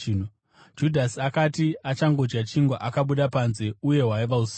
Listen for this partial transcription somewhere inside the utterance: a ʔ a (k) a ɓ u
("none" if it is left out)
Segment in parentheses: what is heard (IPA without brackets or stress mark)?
k